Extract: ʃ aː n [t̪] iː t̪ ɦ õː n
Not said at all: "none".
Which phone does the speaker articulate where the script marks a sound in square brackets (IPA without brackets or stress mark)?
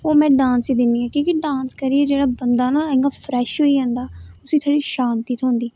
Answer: t̪